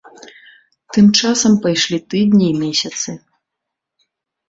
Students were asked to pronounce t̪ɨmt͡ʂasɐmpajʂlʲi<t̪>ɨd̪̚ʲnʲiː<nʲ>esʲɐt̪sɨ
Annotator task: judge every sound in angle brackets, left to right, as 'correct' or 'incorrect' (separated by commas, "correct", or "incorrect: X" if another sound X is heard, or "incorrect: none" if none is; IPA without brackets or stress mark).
correct, incorrect: mʲ